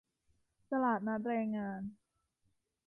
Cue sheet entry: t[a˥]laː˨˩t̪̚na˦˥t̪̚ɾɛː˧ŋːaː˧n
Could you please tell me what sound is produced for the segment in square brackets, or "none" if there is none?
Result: a˧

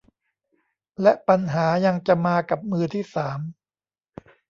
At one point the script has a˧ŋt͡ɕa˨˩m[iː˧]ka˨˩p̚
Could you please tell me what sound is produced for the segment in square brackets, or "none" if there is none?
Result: aː˧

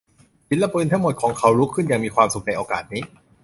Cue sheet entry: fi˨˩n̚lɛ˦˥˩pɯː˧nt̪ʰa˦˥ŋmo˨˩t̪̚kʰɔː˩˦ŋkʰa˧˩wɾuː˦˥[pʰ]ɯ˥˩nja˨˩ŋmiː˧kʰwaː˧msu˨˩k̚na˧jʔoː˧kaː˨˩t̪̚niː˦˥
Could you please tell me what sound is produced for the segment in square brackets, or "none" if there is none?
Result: kʰ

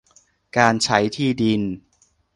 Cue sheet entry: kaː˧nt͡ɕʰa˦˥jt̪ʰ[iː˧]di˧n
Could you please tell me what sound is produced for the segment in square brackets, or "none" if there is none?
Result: iː˥˩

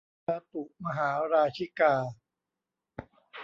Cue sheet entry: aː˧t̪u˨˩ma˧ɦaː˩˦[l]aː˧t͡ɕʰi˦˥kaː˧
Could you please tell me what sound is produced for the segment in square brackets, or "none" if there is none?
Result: ɾ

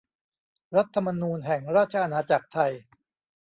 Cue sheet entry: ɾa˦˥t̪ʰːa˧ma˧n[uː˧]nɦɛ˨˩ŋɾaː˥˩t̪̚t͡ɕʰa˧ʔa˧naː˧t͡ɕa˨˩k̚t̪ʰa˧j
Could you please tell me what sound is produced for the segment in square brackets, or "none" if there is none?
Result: uː˧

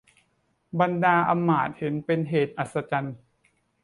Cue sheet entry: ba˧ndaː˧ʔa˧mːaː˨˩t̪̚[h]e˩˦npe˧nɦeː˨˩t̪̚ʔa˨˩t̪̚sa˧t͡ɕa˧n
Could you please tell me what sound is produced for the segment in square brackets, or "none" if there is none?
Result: h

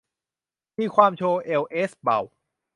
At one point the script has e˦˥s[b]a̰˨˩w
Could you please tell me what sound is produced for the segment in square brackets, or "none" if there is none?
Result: b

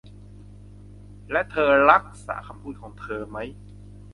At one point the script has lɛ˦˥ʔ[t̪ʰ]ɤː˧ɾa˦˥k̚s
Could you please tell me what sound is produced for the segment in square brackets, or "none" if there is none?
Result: t̪ʰ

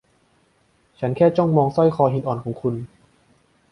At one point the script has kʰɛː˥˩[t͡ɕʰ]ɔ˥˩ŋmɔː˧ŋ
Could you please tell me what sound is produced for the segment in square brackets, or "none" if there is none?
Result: t͡ɕ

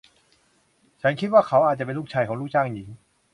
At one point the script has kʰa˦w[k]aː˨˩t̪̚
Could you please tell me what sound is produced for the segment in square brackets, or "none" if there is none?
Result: ʔ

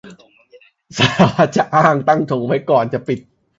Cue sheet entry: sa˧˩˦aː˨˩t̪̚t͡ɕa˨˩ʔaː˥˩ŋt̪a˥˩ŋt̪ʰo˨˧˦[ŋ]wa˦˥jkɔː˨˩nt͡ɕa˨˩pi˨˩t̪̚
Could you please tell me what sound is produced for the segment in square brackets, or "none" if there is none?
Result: ŋ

